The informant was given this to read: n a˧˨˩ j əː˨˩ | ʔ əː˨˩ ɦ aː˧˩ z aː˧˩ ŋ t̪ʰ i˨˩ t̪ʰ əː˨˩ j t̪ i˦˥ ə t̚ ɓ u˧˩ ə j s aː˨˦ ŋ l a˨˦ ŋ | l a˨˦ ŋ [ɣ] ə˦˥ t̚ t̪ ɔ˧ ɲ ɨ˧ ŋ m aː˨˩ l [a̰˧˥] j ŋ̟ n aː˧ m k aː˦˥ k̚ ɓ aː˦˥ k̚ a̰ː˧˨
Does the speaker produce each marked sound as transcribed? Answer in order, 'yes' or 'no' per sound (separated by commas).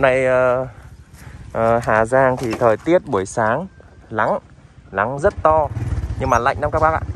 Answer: no, no